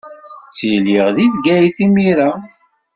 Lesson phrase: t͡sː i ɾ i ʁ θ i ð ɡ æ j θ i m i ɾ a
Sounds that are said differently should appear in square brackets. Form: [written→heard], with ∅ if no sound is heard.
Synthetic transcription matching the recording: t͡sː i [ɾ→l] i ʁ [θ→ð] i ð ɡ æ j θ i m i ɾ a